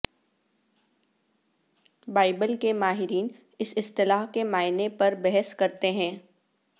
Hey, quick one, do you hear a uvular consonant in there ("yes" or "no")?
no